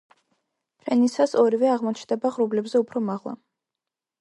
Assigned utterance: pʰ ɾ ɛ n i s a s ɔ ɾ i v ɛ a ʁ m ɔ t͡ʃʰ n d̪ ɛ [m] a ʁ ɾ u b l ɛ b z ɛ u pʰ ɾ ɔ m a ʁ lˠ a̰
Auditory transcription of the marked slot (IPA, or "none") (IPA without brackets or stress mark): b